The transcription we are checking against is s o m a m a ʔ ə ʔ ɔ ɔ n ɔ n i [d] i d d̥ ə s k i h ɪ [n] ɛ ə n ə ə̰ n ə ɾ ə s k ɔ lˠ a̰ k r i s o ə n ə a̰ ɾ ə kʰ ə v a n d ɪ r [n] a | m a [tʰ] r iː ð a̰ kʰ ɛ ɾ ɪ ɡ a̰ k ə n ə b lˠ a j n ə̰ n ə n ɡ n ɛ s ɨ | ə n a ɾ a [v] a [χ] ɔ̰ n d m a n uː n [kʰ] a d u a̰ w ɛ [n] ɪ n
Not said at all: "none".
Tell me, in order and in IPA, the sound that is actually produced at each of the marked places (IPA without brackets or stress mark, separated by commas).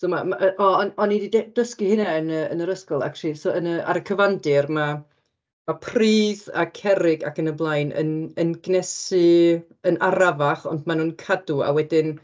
d, n, m, pʰ, v, χ, kʰ, d